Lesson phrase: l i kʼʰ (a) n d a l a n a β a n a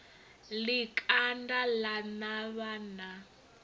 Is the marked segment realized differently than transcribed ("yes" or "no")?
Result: no